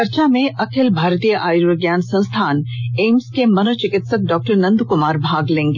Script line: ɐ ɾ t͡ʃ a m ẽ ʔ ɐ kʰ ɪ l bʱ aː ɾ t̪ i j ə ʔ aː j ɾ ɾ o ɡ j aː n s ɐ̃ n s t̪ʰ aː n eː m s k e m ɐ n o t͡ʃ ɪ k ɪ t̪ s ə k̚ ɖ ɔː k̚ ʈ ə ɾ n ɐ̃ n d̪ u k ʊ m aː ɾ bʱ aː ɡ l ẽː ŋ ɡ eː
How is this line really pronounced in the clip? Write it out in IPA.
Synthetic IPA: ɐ ɾ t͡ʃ a m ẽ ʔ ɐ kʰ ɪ l bʱ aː ɾ t̪ i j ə ʔ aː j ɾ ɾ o ɡ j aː n s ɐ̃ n s t̪ʰ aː n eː m s k e m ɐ n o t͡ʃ ɪ k ɪ t̪ s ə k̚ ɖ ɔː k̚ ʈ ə ɾ n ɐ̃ n d̪ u k ʊ m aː ɾ bʱ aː ɡ l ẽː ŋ ɡ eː